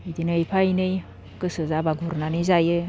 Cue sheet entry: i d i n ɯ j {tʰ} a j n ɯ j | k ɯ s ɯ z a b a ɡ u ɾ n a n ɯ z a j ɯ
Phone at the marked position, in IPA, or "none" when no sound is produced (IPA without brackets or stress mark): pʰ